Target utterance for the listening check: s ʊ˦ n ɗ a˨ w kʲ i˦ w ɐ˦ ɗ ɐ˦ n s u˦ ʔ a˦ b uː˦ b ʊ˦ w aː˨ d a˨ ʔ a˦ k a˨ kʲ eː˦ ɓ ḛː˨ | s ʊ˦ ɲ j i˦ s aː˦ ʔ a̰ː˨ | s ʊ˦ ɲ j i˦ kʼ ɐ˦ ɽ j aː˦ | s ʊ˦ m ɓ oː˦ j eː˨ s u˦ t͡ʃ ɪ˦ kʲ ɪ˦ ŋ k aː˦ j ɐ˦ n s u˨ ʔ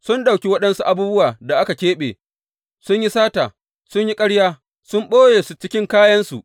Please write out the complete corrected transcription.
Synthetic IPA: s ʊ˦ n ɗ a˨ w kʲ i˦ w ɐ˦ ɗ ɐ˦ n s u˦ ʔ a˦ b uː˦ b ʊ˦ w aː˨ d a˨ ʔ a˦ k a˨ kʲ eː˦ ɓ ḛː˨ | s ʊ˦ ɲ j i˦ s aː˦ t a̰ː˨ | s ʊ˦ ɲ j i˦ kʼ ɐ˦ ɽ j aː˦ | s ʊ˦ m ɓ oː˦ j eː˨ s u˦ t͡ʃ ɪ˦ kʲ ɪ˦ ŋ k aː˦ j ɐ˦ n s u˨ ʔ

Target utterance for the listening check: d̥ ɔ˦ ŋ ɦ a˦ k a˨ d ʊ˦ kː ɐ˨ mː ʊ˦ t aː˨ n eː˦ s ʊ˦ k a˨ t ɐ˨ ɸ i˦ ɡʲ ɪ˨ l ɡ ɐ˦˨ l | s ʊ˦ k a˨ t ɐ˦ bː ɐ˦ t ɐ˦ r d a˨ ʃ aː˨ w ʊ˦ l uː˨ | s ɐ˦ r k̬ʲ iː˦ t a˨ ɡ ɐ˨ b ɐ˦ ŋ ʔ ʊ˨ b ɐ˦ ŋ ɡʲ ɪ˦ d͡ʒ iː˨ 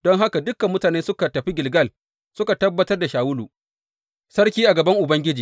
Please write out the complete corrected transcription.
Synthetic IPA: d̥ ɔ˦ ŋ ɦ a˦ k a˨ d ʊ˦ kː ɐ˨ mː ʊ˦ t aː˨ n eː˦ s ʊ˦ k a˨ t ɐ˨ ɸ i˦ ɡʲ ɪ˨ l ɡ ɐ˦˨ l | s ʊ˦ k a˨ t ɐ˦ bː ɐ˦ t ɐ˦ r d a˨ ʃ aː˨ w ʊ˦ l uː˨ | s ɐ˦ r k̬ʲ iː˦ ʔ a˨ ɡ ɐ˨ b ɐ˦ ŋ ʔ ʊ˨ b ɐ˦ ŋ ɡʲ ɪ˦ d͡ʒ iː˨

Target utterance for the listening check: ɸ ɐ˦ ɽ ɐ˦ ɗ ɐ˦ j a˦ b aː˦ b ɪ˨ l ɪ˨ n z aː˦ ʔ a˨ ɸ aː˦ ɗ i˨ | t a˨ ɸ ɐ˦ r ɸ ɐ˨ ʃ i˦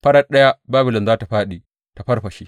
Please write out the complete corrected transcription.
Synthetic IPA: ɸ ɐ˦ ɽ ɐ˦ ɗ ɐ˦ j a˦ b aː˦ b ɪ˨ l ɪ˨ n z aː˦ t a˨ ɸ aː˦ ɗ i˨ | t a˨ ɸ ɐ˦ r ɸ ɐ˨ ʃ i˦

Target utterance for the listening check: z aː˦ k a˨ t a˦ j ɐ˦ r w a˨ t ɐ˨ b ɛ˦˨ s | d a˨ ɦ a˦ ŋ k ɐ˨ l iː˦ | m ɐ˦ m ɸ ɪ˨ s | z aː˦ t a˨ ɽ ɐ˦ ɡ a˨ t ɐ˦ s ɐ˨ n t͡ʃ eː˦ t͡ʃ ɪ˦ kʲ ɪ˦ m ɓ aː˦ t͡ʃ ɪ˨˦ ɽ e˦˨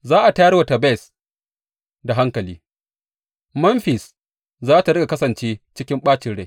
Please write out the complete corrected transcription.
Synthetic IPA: z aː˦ ʔ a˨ t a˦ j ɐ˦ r w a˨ t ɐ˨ b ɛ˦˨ s | d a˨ ɦ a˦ ŋ k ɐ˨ l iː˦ | m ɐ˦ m ɸ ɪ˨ s | z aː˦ t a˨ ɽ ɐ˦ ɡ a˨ k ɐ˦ s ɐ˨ n t͡ʃ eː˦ t͡ʃ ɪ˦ kʲ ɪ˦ m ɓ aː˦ t͡ʃ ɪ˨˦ ɽ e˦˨

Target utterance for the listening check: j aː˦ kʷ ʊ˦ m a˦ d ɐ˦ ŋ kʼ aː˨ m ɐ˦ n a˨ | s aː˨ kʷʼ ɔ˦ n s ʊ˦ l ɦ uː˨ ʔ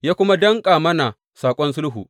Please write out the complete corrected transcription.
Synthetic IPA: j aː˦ kʷ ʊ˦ m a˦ d ɐ˦ ŋ kʼ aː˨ m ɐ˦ n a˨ | s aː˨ kʷʼ ɔ˦ n s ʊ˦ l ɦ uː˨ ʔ

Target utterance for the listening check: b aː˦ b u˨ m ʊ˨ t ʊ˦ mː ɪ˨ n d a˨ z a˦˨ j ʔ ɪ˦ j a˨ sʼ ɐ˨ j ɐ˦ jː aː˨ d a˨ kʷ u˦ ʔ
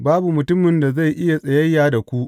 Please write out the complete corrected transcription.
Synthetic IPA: b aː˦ b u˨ m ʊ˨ t ʊ˦ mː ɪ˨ n d a˨ z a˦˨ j ʔ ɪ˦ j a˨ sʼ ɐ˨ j ɐ˦ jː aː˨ d a˨ kʷ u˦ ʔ

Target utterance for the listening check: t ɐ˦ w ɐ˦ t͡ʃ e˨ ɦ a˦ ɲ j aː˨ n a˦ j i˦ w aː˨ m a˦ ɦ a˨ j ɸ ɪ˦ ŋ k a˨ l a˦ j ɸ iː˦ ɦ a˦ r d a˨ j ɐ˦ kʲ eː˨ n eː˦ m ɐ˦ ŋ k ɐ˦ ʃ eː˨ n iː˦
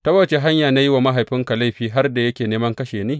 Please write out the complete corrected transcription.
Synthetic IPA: t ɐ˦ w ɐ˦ t͡ʃ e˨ ɦ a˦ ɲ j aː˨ n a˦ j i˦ w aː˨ m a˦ ɦ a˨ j ɸ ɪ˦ ŋ k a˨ l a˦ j ɸ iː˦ ɦ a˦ r d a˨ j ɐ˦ kʲ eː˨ n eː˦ m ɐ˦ ŋ k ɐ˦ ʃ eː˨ n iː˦

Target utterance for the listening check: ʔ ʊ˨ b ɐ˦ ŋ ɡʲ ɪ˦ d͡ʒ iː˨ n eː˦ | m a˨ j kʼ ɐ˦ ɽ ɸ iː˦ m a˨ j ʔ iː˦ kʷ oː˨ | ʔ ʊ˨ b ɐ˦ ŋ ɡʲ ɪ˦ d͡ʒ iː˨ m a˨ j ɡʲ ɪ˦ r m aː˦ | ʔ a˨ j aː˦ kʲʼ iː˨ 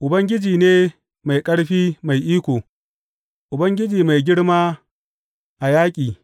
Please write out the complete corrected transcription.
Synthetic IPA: ʔ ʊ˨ b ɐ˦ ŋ ɡʲ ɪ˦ d͡ʒ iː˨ n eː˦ | m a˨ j kʼ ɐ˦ ɽ ɸ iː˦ m a˨ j ʔ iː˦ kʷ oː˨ | ʔ ʊ˨ b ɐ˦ ŋ ɡʲ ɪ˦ d͡ʒ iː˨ m a˨ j ɡʲ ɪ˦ ɽ m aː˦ | ʔ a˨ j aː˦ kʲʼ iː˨

